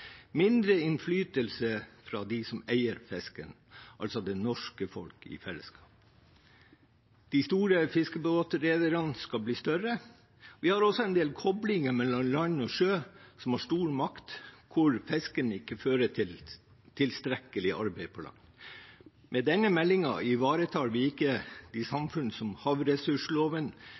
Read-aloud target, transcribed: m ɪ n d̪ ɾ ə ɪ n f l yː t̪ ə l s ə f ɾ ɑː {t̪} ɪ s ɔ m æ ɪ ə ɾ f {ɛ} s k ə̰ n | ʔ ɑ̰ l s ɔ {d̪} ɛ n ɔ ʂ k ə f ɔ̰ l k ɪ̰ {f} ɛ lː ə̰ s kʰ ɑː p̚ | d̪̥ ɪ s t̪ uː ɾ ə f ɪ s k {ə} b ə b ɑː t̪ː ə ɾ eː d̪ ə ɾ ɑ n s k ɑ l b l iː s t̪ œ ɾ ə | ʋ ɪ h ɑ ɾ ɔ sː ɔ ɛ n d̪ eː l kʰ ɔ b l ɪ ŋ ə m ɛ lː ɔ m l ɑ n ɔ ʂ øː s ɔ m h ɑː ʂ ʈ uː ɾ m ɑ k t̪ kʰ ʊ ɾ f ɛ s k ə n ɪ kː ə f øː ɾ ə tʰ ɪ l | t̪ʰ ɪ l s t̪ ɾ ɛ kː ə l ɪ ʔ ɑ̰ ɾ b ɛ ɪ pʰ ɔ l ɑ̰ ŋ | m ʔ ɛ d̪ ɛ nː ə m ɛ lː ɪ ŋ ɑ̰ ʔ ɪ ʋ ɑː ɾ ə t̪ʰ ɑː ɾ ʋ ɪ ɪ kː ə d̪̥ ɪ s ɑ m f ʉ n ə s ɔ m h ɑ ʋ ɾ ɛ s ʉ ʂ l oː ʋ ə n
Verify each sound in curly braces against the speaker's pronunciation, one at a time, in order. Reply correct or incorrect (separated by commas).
incorrect, correct, correct, correct, correct